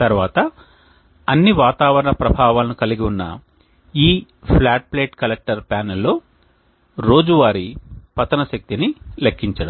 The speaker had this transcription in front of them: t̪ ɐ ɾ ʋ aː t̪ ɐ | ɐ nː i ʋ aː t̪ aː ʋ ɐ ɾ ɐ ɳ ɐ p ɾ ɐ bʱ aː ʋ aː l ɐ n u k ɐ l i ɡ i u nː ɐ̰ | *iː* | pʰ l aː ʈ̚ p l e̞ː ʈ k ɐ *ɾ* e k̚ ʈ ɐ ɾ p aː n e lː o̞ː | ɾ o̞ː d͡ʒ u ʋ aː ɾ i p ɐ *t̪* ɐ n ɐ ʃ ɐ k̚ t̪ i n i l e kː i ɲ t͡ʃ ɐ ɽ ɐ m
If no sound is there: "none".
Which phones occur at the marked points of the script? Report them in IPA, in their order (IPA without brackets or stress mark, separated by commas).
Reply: iː, l, t̪